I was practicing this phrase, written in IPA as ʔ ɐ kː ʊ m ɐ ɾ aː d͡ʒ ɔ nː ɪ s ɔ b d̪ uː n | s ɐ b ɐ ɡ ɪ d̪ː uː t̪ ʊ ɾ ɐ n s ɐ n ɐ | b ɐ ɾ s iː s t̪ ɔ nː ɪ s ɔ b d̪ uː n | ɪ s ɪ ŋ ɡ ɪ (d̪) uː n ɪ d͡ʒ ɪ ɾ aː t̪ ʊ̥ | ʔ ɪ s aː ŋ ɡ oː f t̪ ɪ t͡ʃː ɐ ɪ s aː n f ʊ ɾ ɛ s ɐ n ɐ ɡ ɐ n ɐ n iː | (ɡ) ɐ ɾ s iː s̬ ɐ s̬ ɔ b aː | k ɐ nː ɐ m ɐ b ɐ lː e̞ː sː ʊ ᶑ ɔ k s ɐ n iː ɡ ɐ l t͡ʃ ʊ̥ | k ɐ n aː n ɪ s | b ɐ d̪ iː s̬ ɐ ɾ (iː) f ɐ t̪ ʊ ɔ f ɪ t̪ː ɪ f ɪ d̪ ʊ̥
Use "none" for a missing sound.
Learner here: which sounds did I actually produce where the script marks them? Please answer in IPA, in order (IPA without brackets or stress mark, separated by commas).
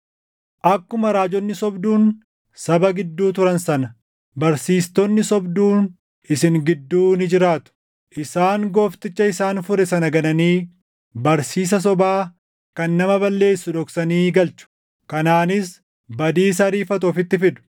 d̪ː, b, iː